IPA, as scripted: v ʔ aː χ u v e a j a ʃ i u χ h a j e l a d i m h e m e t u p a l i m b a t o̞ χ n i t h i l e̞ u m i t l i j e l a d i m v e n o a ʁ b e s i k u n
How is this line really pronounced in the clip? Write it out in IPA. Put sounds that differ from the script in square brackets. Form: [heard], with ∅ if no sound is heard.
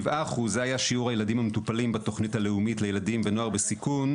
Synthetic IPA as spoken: v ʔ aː χ u [z] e a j a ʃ i u [ʁ] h a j e l a d i m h [a] m e t u p a l i m b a t o̞ χ n i t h [a] l e̞ u m i t l [e] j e l a d i m v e n o a ʁ b e s i k u n